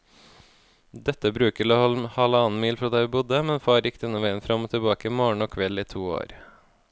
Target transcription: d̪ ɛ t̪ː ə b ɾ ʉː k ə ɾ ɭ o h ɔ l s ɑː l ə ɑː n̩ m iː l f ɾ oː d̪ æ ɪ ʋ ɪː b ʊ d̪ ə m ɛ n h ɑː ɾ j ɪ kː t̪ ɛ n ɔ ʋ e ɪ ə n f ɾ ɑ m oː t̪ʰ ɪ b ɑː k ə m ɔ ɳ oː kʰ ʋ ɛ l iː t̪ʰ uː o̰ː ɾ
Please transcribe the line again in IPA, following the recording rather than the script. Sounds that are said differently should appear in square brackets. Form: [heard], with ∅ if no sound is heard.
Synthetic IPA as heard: d̪ ɛ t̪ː ə b ɾ ʉː k ə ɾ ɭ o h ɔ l [h] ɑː l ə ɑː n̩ m iː l f ɾ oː d̪ æ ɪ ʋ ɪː b ʊ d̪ ə m ɛ n [f] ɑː ɾ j ɪ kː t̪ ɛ n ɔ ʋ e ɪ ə n f ɾ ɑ m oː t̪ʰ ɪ b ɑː k ə m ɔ ɳ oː kʰ ʋ ɛ l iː t̪ʰ uː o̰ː ɾ